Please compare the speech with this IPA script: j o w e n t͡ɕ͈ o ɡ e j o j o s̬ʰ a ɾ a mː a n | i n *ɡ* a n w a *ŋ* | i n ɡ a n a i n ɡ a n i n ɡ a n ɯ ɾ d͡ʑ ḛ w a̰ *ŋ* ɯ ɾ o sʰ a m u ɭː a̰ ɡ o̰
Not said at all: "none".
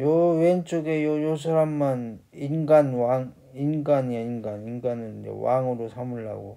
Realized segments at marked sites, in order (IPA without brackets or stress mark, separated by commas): ɡ, ŋ, ŋ